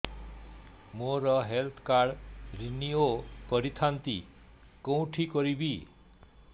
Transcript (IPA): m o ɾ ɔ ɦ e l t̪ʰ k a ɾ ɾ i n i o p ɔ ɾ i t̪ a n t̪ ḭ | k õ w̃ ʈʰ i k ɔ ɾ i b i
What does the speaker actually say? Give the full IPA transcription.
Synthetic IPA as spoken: m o ɾ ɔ ɦ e l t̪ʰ k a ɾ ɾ i n i o p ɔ ɾ i t̪ʰ a n t̪ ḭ | k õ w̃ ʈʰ i k ɔ ɾ i b i